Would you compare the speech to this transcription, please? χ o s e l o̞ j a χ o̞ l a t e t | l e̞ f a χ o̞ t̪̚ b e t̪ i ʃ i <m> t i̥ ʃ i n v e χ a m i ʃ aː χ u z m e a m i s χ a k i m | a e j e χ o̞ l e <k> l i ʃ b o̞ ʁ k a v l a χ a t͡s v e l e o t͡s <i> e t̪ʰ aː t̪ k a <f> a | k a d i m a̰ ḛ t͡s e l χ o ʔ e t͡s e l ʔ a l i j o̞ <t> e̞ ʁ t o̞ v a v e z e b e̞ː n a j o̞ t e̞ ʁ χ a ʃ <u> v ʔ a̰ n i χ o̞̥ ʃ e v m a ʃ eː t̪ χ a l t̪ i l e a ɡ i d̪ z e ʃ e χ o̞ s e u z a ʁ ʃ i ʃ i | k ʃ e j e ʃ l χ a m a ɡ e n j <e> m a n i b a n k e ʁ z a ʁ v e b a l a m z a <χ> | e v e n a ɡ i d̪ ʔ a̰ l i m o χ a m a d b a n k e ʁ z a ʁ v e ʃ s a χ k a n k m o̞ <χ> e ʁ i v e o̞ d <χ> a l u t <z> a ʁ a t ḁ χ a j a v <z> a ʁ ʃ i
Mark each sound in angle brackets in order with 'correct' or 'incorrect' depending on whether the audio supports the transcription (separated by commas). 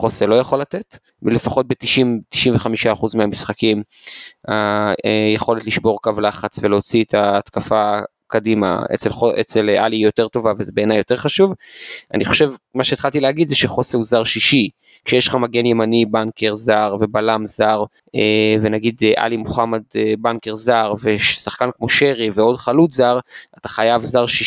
correct, incorrect, correct, correct, correct, correct, correct, incorrect, incorrect, correct, correct, correct